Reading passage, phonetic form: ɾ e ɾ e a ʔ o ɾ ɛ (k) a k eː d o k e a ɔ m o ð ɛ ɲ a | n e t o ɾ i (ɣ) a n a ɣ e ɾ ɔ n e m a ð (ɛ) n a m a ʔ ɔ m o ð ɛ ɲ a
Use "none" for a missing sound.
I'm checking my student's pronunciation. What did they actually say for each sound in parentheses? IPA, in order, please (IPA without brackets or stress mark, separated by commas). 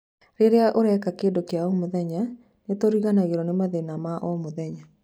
k, ɣ, e